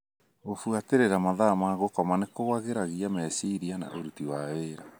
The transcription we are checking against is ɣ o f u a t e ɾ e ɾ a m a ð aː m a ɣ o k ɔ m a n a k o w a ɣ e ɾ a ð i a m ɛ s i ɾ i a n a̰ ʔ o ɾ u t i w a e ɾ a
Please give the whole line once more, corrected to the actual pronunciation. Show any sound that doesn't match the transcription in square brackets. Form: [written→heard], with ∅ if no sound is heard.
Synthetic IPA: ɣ o f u a t e ɾ e ɾ a m a ð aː m a ɣ o k ɔ m a n [a→e] k o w a ɣ e ɾ a [ð→ɣ] i a m ɛ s i ɾ i a n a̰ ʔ o ɾ u t i w a e ɾ a